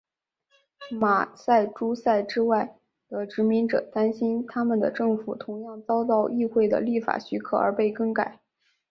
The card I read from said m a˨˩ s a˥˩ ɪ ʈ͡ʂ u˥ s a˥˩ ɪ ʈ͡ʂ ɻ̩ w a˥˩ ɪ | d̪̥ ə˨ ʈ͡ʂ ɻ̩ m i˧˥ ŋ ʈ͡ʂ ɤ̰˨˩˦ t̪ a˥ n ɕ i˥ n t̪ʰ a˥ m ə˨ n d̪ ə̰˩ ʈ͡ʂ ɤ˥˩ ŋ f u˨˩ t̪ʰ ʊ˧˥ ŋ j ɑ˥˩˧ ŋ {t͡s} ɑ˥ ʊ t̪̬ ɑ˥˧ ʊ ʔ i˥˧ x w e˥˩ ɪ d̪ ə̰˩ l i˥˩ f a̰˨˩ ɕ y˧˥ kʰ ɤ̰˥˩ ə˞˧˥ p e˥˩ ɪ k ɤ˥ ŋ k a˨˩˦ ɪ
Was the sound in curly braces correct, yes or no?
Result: yes